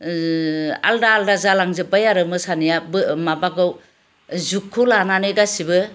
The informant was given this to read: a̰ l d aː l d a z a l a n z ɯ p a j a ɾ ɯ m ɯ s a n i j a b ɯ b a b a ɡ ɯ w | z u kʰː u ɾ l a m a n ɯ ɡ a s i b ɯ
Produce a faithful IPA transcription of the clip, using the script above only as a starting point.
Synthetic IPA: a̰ l d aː l d a z a l a ŋ z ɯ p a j a ɾ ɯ m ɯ s a n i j a b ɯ m a b a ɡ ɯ w | z u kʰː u l a n a n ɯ ɡ a s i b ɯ